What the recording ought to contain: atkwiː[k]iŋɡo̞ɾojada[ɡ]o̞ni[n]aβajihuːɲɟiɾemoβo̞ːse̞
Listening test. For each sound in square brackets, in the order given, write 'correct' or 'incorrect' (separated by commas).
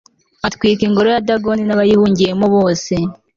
correct, correct, correct